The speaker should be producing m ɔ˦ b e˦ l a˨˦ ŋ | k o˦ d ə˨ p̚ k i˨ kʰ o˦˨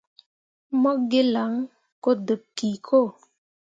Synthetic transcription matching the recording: m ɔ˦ ɡ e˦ l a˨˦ ŋ | k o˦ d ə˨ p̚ k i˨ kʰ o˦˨